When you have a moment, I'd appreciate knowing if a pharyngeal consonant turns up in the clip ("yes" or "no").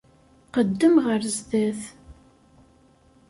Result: no